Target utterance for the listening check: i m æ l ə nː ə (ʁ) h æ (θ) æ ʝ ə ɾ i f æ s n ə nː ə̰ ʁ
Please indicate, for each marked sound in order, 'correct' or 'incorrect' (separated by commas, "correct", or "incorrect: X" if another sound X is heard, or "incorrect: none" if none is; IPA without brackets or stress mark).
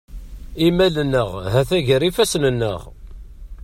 correct, correct